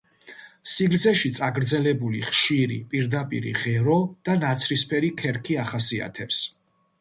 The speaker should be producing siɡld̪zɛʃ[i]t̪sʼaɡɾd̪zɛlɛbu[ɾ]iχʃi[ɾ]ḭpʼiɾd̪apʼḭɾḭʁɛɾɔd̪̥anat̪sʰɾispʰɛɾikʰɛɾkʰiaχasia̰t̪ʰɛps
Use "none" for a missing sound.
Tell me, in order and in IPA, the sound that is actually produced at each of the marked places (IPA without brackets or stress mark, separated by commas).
i, l, ɾ